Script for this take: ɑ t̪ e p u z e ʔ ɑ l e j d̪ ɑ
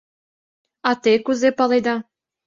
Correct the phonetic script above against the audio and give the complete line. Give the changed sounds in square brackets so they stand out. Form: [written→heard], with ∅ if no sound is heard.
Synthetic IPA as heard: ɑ t̪ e [p→k] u z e [ʔ→p] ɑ l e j d̪ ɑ